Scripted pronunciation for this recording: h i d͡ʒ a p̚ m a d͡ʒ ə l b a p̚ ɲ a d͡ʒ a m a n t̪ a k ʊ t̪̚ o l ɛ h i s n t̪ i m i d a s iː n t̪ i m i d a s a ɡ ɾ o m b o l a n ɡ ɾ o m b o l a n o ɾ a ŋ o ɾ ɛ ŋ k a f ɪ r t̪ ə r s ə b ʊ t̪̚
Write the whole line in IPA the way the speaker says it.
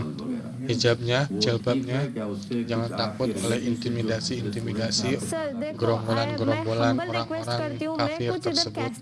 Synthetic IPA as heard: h i d͡ʒ a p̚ ɲ a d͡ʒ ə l b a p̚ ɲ a d͡ʒ a ŋ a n t̪ a k ʊ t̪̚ o l ɛ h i n t̪ i m i d a s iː n t̪ i m i d a s i ɡ ɾ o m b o l a n ɡ ɾ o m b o l a n o ɾ a ŋ o ɾ a ŋ k a f ɪ r t̪ ə r s ə b ʊ t̪̚